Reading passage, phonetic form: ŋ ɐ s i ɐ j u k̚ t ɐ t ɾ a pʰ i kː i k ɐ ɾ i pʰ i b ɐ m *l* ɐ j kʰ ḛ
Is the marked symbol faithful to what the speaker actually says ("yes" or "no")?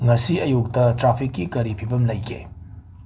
yes